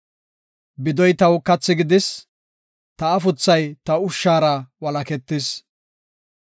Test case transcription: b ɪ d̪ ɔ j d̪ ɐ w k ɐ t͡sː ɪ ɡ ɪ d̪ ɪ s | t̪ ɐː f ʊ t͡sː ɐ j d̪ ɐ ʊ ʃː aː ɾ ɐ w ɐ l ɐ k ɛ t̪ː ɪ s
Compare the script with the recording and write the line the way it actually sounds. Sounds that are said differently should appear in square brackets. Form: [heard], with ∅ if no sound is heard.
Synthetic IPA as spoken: b ɪ d̪ ɔ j [t̪] ɐ w k ɐ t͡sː ɪ ɡ ɪ d̪ ɪ s | t̪ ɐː f ʊ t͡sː ɐ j [t̪] ɐ ʊ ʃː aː ɾ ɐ w ɐ l ɐ k ɛ t̪ː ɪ s